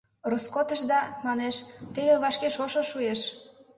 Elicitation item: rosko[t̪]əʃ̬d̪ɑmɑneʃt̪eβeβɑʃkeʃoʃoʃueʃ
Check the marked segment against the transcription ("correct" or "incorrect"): correct